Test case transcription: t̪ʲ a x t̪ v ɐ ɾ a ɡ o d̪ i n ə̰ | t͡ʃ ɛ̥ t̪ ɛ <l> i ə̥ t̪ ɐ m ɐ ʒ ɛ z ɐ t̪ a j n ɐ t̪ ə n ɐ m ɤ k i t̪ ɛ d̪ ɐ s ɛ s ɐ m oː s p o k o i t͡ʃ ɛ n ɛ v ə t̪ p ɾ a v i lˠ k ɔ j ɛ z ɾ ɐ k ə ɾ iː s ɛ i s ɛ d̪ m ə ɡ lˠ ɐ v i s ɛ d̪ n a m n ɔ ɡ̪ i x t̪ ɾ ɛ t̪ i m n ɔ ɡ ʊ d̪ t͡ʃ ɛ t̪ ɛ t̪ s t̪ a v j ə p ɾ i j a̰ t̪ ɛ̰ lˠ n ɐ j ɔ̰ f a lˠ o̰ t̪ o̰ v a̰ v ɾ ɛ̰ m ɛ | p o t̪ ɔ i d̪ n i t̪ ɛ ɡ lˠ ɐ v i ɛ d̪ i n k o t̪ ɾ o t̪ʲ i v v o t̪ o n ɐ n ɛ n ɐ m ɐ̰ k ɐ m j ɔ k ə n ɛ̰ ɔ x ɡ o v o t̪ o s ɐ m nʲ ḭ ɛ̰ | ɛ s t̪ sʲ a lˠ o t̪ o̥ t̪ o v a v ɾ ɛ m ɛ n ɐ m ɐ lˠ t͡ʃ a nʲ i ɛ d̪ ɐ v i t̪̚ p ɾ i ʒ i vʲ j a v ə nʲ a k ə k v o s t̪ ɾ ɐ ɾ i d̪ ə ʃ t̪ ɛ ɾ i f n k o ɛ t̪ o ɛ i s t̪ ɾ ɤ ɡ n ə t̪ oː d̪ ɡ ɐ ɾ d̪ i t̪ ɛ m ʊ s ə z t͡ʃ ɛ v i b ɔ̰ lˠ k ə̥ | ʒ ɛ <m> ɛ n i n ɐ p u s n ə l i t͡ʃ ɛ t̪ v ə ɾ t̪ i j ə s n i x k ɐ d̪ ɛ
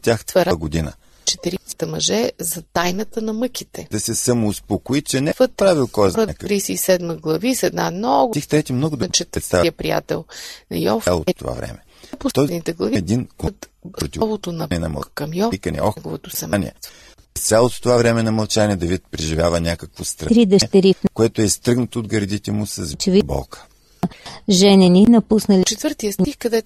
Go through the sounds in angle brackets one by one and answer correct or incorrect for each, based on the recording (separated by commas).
incorrect, incorrect